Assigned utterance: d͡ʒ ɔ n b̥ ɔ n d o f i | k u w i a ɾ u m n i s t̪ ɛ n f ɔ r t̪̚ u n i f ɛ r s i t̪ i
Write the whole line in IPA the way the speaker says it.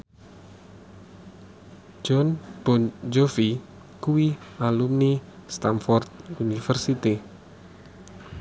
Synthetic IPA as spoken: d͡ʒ ɔ n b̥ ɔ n d͡ʒ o f i | k u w i a l u m n i s t̪ a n f ɔ r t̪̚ u n i f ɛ r s i t̪ i